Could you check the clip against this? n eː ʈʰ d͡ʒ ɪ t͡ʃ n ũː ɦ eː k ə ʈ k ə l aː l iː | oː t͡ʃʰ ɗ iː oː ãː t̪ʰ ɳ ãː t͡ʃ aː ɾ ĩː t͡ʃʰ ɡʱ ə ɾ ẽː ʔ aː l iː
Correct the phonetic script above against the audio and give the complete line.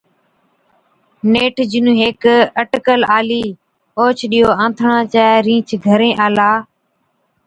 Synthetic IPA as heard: n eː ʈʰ d͡ʒ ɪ n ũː ɦ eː k ə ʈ k ə l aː l iː | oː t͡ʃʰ ɗ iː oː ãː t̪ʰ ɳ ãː t͡ʃ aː ɾ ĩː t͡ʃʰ ɡʱ ə ɾ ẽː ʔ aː l aː